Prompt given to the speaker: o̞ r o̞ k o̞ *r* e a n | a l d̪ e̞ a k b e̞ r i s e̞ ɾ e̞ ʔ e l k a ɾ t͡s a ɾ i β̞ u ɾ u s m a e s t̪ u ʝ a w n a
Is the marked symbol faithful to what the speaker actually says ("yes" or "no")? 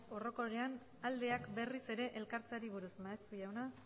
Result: no